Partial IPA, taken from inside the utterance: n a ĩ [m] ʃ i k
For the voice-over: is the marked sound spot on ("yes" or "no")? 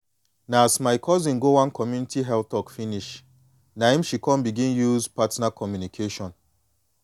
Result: yes